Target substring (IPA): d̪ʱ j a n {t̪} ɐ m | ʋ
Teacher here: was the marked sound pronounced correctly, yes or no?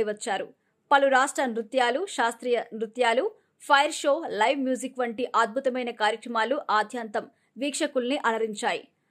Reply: yes